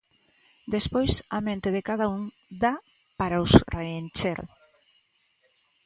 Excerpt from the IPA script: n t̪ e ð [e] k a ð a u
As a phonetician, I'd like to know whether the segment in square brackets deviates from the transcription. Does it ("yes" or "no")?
no